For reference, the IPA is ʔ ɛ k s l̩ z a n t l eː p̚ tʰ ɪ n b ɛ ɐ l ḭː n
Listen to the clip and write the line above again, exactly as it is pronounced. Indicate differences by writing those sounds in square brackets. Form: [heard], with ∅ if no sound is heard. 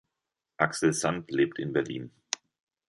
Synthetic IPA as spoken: ʔ [a] k s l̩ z a n t l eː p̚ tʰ ɪ n b ɛ ɐ l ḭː n